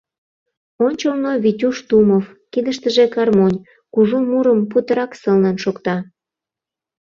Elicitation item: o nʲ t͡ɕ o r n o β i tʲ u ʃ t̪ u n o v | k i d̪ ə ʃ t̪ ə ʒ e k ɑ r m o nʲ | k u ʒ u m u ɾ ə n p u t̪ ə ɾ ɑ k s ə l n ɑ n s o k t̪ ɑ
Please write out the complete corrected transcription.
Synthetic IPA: o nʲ t͡ɕ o l n o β i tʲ u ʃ t̪ u m o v | k i d̪ ə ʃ t̪ ə ʒ e k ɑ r m o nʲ | k u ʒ u m u ɾ ə m p u t̪ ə ɾ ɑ k s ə l n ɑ n ʃ o k t̪ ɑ